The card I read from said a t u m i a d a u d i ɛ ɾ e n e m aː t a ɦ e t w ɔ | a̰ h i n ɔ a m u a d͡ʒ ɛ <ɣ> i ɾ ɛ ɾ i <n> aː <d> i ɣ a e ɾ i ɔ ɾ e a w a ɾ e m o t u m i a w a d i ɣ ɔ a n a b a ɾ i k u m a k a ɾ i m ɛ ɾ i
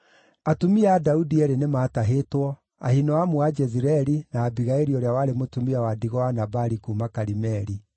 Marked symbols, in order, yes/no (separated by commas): no, yes, no